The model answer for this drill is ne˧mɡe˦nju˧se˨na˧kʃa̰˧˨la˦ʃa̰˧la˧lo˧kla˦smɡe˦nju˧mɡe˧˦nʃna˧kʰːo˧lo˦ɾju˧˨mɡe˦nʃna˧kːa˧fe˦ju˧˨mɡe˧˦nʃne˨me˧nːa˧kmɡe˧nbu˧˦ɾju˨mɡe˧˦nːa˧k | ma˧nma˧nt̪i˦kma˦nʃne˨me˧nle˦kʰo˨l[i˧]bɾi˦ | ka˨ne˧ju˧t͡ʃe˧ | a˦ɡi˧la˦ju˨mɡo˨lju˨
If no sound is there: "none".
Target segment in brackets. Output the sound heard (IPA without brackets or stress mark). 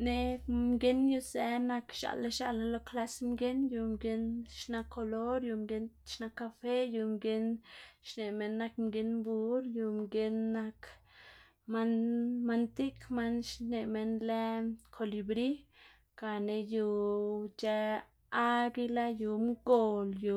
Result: i˧